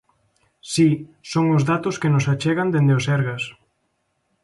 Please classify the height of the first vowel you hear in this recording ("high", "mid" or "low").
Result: high